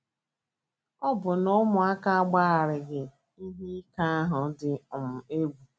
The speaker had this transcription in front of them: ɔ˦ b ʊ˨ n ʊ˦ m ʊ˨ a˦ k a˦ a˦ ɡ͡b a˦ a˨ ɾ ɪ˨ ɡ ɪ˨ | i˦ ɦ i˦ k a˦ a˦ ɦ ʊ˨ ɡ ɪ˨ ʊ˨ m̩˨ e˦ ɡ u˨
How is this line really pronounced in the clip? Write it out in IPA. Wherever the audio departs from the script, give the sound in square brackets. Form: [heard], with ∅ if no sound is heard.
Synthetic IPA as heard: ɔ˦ b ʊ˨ n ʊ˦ m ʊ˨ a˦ k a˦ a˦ ɡ͡b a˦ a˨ ɾ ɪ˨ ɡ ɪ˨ | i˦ ɦ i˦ k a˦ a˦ ɦ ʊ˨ [d] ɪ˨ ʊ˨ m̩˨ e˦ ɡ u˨